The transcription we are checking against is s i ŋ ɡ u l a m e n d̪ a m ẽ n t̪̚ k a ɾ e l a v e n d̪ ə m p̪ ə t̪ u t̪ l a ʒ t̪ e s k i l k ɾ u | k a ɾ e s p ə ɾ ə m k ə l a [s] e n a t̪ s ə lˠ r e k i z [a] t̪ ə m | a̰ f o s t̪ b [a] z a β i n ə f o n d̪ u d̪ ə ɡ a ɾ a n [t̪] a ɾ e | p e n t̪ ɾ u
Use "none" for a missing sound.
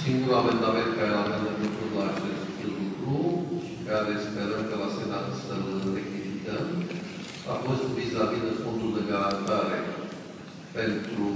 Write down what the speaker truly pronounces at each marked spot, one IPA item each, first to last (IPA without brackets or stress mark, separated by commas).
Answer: s, i, i, t̪